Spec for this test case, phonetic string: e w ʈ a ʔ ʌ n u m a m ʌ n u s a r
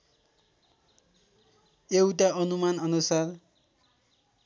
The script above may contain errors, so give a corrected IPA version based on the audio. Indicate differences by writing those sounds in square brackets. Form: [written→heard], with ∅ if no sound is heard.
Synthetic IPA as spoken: e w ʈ a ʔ ʌ n u m a [m→n] ʌ n u s a r